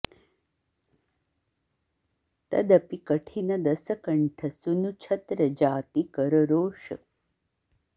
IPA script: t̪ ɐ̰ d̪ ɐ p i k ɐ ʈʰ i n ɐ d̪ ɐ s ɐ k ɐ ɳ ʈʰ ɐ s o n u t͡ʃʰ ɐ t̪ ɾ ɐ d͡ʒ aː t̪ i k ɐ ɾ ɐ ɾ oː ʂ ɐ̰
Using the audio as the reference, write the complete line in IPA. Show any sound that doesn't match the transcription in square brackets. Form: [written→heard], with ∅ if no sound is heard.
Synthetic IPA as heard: t̪ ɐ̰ d̪ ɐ p i k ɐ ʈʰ i n ɐ d̪ ɐ s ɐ k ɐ ɳ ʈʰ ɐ s [o→u] n u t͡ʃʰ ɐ t̪ ɾ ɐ d͡ʒ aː t̪ i k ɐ ɾ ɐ ɾ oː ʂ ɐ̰